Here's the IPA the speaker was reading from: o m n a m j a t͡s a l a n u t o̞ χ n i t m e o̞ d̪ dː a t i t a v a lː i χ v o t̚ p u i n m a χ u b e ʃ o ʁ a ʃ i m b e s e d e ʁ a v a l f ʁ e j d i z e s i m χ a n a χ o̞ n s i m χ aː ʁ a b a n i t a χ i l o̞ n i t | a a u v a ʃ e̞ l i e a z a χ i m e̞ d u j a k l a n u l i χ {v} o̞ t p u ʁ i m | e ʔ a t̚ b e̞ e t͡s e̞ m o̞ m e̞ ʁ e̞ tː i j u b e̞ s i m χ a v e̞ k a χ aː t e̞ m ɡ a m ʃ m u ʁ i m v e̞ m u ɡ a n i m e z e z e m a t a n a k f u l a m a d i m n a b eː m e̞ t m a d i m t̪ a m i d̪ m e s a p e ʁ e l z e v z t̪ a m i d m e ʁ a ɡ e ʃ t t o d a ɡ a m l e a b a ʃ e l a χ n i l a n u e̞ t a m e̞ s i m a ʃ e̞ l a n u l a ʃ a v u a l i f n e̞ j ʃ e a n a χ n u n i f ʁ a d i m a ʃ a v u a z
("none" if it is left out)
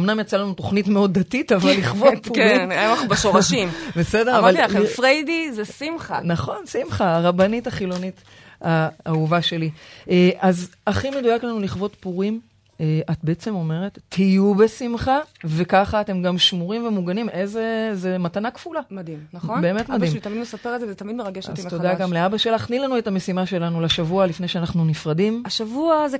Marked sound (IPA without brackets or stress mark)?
v